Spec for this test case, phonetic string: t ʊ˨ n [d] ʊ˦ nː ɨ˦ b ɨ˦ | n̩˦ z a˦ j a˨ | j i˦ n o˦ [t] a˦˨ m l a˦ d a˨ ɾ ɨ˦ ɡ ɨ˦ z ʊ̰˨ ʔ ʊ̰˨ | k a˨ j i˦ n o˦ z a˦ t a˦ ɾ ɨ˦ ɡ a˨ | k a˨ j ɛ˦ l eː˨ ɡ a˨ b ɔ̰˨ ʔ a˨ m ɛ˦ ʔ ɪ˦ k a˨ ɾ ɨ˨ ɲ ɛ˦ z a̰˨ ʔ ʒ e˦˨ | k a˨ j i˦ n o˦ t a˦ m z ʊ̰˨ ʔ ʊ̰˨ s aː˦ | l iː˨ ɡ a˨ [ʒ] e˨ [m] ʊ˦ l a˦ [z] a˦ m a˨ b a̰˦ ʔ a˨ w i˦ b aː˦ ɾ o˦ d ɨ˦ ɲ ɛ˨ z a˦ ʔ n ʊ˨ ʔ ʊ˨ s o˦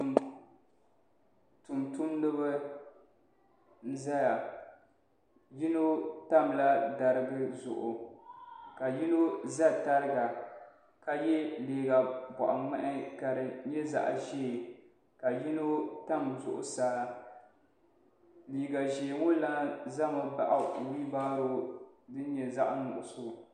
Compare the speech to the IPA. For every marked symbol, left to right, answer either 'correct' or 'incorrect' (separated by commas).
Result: incorrect, correct, correct, incorrect, correct